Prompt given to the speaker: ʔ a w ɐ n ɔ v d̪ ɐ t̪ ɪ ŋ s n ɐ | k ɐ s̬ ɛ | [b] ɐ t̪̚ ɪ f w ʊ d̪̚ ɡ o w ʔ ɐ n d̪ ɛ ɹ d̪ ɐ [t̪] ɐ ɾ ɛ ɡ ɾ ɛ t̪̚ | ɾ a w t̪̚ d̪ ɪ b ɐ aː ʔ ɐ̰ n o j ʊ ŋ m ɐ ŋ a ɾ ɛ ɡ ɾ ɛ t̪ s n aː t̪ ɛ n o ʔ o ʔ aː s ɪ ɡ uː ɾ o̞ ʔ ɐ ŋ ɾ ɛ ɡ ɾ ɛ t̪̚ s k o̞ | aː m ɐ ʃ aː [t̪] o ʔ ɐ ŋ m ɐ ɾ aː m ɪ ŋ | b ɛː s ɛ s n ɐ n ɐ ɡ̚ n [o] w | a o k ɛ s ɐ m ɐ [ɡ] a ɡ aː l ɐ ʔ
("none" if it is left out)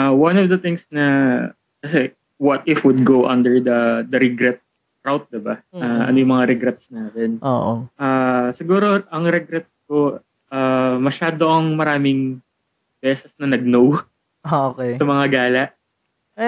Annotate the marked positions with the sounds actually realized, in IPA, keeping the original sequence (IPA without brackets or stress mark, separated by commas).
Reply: w, d̪, d̪, o, ŋ